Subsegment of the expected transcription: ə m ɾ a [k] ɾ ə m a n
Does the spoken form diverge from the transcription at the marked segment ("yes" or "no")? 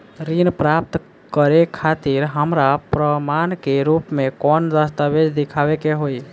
yes